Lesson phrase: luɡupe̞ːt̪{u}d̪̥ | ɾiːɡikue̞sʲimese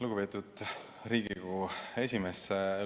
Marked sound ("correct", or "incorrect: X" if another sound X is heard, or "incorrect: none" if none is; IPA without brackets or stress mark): correct